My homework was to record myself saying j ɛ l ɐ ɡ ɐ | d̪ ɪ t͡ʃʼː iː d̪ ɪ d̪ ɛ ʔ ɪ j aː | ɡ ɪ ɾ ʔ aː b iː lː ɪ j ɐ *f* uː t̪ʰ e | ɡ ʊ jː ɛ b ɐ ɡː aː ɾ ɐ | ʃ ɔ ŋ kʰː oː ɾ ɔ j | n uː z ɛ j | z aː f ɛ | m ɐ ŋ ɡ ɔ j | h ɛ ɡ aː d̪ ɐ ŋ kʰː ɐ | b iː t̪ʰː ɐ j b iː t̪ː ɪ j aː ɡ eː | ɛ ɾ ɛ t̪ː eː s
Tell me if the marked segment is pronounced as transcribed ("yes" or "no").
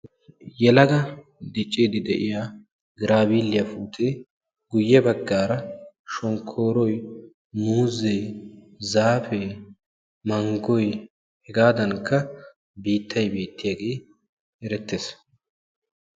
yes